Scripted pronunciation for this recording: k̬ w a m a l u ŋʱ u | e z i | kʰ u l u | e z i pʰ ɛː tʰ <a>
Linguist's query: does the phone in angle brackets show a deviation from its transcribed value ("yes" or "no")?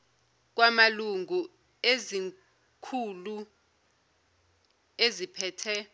yes